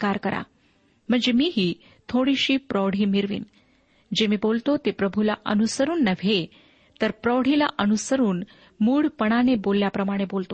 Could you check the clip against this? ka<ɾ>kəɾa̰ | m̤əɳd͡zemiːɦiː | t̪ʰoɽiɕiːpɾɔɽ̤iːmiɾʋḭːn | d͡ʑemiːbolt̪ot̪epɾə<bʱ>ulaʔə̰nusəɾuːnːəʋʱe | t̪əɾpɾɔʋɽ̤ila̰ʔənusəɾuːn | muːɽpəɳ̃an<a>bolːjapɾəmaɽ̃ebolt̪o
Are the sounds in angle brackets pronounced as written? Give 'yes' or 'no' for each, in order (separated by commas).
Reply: yes, yes, no